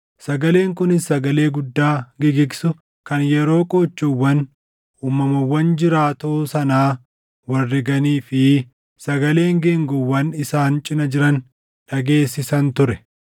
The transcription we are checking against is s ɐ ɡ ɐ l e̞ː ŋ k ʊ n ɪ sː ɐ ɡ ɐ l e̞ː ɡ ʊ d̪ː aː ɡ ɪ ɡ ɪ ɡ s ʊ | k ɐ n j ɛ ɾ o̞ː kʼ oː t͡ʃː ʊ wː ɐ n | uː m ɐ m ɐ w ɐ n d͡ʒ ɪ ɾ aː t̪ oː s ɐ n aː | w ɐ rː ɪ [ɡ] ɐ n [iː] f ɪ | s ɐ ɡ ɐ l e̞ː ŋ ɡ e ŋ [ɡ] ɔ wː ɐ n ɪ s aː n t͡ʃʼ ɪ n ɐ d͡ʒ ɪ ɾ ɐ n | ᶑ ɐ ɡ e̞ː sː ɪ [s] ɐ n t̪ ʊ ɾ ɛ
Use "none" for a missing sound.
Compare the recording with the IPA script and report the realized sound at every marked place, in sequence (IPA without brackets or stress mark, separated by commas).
ɡ, iː, ɡ, s